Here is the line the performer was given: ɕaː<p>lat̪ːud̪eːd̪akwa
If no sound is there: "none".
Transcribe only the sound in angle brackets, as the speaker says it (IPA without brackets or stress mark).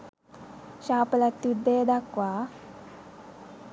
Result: p